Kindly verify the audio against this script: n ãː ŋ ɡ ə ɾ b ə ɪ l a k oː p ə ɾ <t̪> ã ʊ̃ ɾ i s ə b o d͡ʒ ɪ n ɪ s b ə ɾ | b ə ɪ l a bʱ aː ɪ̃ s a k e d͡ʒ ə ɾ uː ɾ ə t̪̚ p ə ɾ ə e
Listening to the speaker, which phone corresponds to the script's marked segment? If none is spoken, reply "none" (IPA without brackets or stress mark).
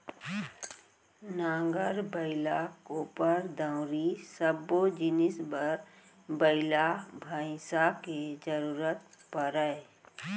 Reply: d̪